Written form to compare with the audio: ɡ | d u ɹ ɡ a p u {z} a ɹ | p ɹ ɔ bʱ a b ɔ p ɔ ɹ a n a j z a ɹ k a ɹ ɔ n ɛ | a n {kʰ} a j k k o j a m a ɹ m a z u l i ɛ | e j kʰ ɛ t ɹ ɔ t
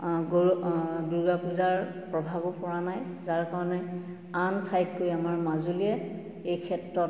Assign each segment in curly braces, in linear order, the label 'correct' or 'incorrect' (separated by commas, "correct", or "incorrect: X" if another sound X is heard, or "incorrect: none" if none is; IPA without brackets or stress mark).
correct, incorrect: tʰ